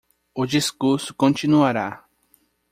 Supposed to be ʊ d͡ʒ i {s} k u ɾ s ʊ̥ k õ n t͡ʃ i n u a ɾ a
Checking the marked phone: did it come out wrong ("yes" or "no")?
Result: no